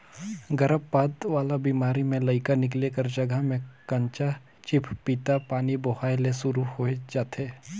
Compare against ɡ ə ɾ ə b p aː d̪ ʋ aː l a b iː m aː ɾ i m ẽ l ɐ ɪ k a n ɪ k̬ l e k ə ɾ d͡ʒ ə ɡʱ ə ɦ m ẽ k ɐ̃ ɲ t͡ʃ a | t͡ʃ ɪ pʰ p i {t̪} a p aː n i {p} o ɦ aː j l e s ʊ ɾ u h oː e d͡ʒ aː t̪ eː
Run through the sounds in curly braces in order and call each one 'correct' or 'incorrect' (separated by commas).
correct, incorrect